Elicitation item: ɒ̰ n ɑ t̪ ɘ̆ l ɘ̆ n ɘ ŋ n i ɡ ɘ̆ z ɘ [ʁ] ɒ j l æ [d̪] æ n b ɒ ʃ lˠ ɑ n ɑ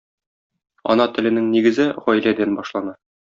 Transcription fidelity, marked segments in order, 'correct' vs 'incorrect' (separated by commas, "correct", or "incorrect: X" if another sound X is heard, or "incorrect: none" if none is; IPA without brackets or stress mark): correct, correct